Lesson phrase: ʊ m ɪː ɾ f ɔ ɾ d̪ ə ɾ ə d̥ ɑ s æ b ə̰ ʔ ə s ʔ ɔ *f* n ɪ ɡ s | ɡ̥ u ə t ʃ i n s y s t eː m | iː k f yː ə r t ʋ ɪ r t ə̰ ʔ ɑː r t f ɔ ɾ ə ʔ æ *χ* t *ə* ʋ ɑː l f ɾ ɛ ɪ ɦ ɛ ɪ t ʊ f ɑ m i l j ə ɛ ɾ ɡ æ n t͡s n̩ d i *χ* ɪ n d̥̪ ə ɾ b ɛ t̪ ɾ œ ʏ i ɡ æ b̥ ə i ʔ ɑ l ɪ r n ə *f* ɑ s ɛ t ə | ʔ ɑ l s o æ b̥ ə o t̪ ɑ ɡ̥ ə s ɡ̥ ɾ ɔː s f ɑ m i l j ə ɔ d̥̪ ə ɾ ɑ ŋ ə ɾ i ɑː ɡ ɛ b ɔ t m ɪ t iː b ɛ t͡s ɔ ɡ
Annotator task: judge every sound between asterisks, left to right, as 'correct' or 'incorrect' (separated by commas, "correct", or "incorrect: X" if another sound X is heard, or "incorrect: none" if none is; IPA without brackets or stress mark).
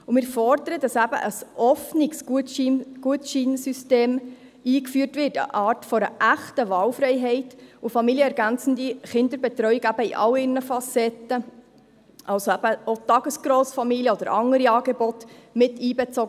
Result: correct, correct, correct, correct, correct